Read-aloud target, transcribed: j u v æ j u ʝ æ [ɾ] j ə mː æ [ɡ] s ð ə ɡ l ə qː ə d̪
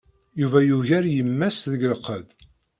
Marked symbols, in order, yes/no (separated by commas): yes, no